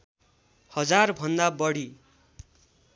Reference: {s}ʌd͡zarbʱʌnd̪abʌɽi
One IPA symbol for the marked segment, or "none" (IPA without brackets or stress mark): h